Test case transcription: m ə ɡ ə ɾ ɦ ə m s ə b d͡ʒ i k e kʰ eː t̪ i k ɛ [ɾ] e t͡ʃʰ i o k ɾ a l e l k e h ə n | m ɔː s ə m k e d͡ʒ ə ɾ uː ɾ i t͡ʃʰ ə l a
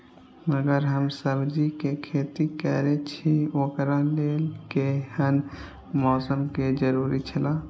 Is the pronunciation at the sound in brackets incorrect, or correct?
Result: correct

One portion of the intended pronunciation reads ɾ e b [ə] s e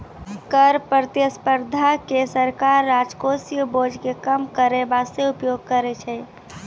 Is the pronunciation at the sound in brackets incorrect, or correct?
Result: incorrect: a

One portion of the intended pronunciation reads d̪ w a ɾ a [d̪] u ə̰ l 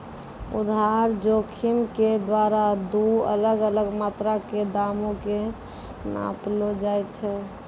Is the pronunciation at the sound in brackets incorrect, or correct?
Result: correct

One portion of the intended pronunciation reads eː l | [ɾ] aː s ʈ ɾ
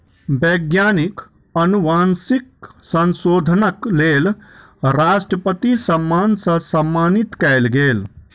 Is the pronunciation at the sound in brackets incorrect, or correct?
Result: correct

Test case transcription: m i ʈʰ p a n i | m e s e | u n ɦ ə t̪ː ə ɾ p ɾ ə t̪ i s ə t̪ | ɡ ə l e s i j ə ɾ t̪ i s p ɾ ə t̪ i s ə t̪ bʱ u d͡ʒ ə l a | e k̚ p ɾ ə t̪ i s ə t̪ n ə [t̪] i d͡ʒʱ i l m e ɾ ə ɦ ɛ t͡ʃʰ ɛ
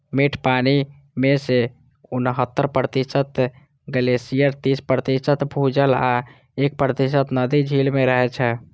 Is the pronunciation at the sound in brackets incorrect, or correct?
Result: incorrect: d̪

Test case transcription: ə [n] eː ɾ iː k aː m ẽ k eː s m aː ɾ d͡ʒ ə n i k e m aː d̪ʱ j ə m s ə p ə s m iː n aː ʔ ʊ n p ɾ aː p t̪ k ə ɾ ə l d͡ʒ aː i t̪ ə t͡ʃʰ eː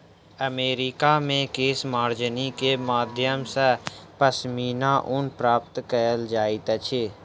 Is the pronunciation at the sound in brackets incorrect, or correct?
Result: incorrect: m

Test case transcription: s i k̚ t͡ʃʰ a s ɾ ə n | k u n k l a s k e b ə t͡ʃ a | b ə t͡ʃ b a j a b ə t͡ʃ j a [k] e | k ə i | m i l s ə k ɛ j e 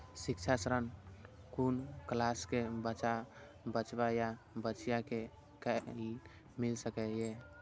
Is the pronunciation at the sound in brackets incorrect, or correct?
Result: correct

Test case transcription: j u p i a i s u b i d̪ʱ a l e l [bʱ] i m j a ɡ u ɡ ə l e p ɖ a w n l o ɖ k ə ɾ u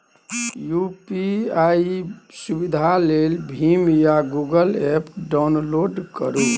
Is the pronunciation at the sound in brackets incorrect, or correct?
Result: correct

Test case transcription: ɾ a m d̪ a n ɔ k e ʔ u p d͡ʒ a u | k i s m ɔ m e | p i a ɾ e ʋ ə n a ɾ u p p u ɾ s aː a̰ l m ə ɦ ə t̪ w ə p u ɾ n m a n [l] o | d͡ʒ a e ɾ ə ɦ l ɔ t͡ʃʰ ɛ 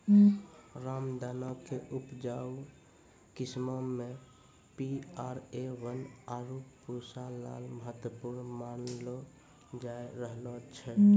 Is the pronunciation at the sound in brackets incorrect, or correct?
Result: correct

